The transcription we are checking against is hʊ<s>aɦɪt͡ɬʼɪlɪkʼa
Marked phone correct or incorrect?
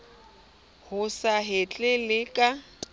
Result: correct